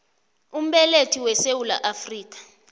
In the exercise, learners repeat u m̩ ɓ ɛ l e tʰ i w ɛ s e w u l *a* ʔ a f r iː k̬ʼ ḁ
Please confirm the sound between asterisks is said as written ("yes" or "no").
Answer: yes